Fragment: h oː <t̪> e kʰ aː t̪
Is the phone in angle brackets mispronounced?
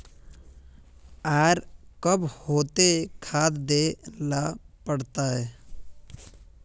no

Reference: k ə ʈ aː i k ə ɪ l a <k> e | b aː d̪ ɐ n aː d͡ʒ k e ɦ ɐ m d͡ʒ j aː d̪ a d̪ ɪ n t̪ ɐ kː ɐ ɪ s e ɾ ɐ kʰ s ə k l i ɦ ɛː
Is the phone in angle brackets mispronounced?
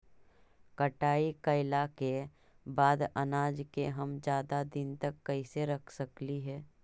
no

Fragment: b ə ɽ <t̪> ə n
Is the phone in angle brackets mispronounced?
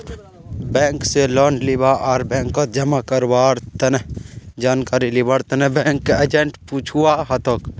no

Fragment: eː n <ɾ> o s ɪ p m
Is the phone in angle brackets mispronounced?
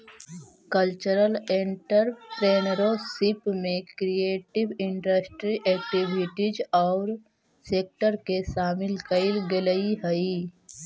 no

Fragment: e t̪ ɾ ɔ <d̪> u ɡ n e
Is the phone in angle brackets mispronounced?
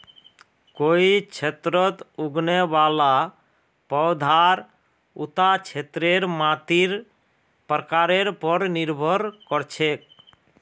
yes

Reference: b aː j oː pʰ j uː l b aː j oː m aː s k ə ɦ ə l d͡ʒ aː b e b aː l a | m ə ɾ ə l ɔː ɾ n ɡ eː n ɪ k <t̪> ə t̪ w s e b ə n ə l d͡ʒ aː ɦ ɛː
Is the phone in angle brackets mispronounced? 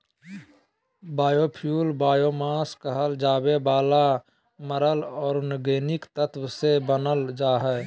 no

